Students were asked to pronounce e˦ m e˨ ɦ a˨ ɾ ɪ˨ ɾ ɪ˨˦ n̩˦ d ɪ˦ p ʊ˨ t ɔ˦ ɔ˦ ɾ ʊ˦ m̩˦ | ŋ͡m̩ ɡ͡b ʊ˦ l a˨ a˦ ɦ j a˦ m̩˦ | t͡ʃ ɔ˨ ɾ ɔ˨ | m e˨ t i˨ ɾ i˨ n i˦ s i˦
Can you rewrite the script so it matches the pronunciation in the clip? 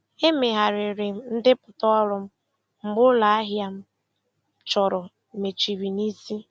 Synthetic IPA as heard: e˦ m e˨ ɦ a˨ ɾ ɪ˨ ɾ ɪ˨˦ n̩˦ d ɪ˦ p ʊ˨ t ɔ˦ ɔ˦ ɾ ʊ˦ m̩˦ | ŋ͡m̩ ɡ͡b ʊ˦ l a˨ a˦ ɦ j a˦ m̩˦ | t͡ʃ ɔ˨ ɾ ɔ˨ | m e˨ t͡ʃ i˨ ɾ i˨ n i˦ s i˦